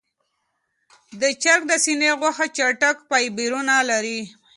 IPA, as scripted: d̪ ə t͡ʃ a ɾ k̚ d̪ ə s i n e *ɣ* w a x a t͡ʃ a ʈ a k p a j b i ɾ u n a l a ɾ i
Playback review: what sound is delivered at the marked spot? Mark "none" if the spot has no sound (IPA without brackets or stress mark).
ɣ